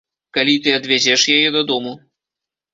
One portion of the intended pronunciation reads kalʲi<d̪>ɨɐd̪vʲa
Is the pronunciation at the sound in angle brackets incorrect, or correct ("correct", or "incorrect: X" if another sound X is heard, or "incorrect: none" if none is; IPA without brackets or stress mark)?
incorrect: t̪